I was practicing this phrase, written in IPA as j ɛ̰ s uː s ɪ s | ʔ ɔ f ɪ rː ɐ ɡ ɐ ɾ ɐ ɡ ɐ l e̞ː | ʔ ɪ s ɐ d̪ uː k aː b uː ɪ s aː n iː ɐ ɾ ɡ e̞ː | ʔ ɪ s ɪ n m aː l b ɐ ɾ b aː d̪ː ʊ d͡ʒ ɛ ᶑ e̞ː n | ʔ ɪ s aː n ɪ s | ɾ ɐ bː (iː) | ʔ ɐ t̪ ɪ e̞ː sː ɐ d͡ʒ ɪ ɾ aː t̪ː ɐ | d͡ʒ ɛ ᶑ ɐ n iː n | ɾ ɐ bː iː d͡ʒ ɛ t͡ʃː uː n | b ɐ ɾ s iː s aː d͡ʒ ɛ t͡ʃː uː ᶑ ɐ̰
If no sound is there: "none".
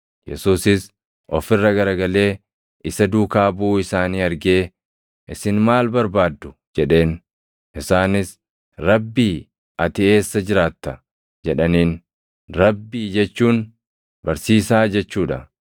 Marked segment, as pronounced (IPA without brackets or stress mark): iː